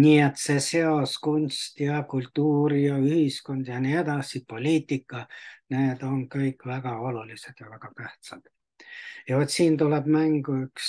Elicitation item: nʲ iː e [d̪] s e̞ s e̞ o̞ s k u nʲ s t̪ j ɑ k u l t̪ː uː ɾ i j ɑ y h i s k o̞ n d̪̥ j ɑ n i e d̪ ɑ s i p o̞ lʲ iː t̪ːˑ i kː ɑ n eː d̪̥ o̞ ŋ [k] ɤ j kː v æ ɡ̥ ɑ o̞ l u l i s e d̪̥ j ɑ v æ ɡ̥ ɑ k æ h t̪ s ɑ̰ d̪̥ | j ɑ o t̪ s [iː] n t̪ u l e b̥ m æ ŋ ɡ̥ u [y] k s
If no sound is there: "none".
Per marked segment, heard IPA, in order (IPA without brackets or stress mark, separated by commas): t̪, k, iː, y